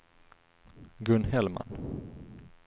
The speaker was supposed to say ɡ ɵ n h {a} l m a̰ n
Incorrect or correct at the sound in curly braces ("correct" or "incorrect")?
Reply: incorrect